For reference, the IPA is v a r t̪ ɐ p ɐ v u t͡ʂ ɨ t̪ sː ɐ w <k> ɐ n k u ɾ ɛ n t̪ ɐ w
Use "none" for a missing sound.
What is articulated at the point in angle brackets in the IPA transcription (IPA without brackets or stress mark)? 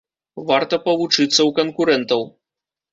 k